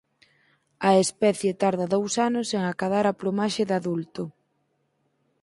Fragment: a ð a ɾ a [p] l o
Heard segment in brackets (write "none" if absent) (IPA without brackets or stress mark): p